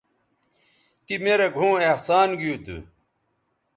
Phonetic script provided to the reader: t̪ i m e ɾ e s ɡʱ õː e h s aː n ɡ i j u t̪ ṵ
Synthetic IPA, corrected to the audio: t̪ i m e ɾ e ɡʱ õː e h s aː n ɡ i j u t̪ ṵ